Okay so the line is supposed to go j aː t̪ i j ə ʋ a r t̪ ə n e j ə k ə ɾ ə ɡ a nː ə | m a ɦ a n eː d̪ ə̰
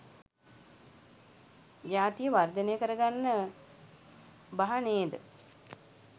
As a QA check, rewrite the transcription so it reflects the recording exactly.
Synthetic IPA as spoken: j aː t̪ i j ə ʋ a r d̪ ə n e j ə k ə ɾ ə ɡ a nː ə | b a ɦ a n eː d̪ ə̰